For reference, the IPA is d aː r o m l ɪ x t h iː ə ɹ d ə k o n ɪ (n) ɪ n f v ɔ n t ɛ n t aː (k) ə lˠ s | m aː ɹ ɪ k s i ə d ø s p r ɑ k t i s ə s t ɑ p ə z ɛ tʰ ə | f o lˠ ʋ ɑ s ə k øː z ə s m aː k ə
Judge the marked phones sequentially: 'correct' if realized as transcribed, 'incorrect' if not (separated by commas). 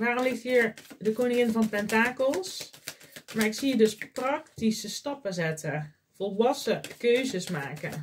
incorrect, correct